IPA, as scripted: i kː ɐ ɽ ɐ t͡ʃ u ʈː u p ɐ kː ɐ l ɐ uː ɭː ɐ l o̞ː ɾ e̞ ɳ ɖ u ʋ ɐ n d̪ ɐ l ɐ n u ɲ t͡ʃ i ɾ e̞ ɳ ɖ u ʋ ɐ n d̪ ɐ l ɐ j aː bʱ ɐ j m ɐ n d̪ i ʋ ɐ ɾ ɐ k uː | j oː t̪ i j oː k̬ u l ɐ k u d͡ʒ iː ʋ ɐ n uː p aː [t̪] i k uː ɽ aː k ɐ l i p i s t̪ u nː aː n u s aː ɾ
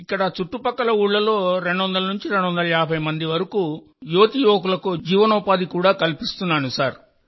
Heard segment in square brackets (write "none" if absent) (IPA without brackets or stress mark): d̪